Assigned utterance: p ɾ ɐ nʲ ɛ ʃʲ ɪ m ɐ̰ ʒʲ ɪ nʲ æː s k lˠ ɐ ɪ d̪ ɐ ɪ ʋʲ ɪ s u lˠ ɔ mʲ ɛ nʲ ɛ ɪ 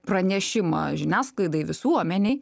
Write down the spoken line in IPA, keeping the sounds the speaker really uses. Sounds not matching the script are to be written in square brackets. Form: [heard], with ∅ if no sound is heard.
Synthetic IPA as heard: p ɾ ɐ nʲ ɛ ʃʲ ɪ m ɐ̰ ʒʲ ɪ nʲ æː s k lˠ ɐ ɪ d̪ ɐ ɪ ʋʲ ɪ s u [∅] ɔ mʲ ɛ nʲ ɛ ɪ